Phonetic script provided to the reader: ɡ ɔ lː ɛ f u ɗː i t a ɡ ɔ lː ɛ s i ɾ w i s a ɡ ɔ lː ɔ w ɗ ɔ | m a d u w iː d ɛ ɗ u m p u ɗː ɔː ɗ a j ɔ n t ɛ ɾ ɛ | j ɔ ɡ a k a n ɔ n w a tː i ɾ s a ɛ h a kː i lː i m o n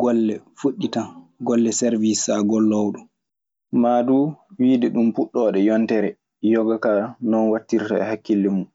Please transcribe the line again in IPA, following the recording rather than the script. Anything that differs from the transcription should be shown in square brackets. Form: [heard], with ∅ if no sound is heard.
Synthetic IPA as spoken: ɡ ɔ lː ɛ f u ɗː i t a ɡ ɔ lː ɛ s [ɛ] ɾ [v] i s a ɡ ɔ lː ɔ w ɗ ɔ | m a d u w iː d ɛ ɗ u m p u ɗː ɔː ɗ [ɛ] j ɔ n t ɛ ɾ ɛ | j ɔ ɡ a k a n ɔ n w a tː i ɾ [t] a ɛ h a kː i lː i m [u] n